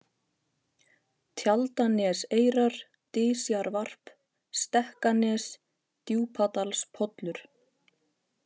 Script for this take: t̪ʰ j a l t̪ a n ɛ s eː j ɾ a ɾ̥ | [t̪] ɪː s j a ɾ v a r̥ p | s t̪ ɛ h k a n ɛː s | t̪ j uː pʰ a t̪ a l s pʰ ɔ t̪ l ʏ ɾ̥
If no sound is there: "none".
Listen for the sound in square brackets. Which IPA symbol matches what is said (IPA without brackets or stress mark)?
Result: t̪